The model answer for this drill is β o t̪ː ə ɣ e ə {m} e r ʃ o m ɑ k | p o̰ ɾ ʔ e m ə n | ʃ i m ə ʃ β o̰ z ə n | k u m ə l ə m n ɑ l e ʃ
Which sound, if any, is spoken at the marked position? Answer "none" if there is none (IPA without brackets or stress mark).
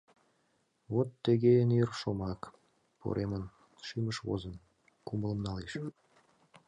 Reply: n